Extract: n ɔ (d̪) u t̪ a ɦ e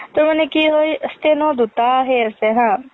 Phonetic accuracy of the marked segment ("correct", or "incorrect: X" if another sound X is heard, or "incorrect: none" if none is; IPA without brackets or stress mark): correct